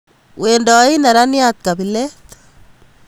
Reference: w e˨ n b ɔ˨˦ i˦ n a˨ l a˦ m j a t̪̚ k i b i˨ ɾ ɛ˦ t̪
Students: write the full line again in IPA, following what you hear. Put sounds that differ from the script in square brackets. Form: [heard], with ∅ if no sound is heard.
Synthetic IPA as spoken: w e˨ n [d] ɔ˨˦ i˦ n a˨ [ɾ] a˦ [n] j a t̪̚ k [a] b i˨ [l] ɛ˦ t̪